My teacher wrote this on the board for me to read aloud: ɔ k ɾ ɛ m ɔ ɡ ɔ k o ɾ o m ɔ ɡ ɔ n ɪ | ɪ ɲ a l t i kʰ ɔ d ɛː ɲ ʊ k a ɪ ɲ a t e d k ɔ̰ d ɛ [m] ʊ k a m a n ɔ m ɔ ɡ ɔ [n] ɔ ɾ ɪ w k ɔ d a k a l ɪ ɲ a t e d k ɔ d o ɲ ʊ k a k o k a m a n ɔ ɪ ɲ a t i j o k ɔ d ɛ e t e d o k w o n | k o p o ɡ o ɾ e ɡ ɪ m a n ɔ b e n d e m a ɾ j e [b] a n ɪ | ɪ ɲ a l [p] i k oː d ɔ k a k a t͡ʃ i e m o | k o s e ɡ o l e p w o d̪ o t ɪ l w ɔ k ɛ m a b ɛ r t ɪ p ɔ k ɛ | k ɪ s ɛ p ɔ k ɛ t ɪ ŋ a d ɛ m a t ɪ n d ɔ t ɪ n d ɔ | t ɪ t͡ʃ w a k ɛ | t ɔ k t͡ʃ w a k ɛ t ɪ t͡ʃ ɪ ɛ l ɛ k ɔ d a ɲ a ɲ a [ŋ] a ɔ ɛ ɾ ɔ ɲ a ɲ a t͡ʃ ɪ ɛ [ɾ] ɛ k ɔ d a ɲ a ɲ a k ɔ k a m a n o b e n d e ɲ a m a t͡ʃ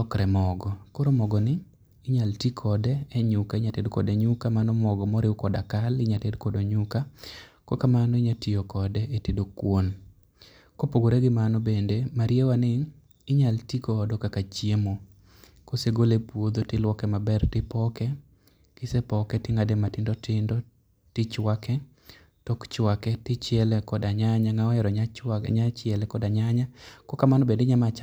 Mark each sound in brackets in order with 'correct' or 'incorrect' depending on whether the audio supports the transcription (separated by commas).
incorrect, incorrect, incorrect, incorrect, correct, incorrect